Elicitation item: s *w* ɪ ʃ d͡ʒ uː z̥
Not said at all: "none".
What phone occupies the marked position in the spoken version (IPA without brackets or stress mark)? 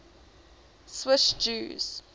w